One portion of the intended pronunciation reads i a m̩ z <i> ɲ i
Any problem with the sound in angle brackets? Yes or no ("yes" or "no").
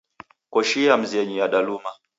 yes